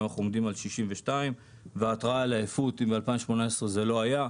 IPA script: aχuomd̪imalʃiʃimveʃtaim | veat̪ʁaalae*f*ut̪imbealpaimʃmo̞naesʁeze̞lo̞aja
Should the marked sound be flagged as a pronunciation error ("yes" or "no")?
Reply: no